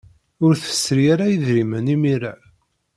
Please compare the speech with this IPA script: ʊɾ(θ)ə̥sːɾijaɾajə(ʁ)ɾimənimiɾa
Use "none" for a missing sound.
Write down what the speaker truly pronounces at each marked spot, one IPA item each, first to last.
θ, ð

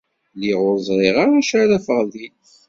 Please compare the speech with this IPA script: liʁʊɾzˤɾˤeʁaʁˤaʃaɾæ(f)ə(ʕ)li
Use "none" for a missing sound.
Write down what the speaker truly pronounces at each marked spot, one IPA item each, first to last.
f, ʁ

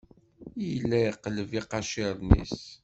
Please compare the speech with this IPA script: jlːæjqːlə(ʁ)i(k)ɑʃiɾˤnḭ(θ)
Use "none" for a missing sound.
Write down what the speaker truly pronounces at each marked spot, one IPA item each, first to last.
v, q, s

